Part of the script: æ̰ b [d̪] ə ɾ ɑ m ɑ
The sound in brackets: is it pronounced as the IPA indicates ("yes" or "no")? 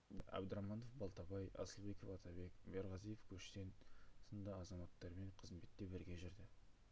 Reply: yes